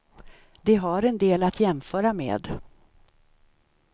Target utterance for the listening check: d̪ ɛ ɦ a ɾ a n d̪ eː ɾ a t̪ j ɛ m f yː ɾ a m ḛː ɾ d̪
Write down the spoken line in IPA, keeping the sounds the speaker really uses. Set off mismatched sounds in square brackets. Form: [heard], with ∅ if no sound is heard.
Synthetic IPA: d̪ ɛ ɦ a ɾ [ɛ] n d̪ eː [l] a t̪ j ɛ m f [œː] ɾ a m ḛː [∅] d̪